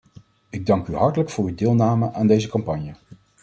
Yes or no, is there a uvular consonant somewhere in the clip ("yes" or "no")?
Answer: no